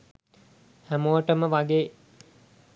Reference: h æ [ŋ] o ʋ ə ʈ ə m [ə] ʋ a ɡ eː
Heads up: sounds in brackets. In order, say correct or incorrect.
incorrect: m, correct

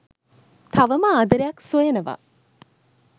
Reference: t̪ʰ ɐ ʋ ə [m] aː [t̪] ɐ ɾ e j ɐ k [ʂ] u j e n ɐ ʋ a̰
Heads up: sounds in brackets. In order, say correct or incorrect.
correct, incorrect: d̪, incorrect: s

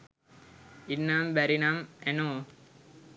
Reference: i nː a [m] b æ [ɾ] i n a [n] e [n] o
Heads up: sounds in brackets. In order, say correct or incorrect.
correct, correct, incorrect: m, correct

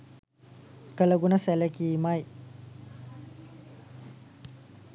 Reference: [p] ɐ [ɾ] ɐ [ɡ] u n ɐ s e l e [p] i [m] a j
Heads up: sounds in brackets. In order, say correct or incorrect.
incorrect: k, incorrect: l, correct, incorrect: k, correct

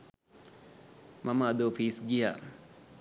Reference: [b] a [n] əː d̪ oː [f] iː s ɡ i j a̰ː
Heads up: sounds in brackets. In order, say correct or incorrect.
incorrect: m, incorrect: m, correct

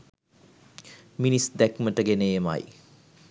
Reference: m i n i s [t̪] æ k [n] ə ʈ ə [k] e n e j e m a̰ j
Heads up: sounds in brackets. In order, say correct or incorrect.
incorrect: d̪, incorrect: m, incorrect: ɡ

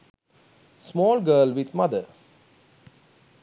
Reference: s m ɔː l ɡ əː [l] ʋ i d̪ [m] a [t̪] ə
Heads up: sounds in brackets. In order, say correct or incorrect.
correct, correct, incorrect: d̪

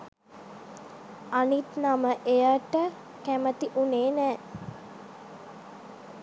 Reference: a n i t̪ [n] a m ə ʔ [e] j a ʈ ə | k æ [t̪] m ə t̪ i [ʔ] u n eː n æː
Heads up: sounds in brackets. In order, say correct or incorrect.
correct, correct, incorrect: none, correct

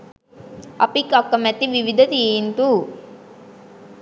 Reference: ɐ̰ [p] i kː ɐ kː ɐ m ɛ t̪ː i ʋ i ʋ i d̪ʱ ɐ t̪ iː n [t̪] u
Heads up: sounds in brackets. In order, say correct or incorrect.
correct, correct

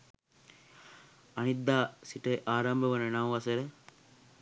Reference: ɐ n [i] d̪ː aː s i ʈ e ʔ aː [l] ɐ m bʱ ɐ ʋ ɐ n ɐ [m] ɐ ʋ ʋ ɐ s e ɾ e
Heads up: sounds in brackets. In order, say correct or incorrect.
correct, incorrect: ɾ, incorrect: n

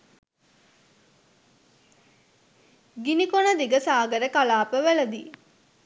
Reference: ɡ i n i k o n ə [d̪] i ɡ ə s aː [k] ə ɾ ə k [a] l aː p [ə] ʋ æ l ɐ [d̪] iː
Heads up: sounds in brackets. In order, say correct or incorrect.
correct, incorrect: ɡ, correct, correct, correct

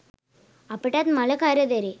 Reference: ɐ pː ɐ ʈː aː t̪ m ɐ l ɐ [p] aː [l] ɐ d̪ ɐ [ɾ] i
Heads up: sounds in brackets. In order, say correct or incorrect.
incorrect: k, incorrect: ɾ, correct

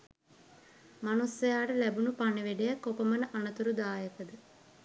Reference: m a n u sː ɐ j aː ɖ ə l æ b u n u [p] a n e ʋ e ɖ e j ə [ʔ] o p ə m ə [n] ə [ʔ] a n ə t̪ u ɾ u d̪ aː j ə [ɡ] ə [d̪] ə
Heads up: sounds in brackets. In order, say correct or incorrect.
correct, incorrect: k, correct, correct, incorrect: k, correct

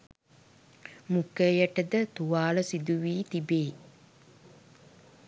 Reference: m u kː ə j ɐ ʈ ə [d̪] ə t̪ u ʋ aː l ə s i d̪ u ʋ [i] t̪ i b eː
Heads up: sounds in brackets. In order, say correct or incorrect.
correct, incorrect: iː

